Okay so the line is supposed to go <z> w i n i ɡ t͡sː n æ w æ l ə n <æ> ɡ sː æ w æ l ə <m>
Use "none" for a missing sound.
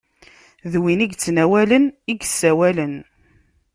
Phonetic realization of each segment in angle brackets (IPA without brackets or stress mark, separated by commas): ð, i, n